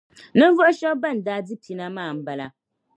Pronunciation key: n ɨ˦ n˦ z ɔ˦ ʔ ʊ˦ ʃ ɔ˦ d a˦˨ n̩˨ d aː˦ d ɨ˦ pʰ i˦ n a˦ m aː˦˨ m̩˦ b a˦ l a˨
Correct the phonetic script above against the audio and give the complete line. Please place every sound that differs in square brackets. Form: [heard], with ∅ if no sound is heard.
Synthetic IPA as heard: n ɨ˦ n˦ [v] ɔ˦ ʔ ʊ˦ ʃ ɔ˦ [b] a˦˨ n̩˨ d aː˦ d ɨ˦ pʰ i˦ n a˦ m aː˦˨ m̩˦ b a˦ l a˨